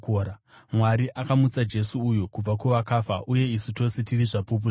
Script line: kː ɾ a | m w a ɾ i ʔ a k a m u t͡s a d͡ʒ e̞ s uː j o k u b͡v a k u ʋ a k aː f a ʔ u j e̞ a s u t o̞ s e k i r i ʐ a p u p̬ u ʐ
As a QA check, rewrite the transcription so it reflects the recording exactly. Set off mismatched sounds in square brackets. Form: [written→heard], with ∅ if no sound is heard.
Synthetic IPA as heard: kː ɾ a | m w a ɾ i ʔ a k a m u t͡s a d͡ʒ e̞ s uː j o k u b͡v a k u ʋ a k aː f a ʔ u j e̞ [a→i] s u t o̞ s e [k→t] i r i ʐ a p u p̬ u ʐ